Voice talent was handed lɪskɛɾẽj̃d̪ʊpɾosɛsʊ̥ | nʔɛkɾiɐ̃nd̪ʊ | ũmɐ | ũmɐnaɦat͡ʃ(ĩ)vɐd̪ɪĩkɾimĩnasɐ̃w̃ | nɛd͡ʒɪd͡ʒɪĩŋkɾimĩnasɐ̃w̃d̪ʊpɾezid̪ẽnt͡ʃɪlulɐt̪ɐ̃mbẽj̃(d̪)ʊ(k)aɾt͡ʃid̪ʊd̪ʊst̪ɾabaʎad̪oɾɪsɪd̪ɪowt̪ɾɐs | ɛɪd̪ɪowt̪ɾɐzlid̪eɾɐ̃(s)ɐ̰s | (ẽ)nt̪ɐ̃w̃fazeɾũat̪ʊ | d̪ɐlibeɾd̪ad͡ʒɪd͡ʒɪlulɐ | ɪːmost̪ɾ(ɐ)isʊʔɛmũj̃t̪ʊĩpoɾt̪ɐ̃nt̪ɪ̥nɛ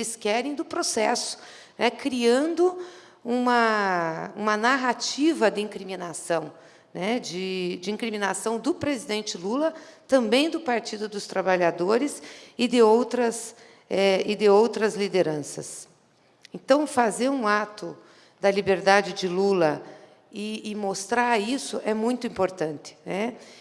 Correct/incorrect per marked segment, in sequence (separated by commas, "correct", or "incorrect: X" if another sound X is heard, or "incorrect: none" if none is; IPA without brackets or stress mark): incorrect: i, correct, incorrect: p, correct, correct, incorrect: a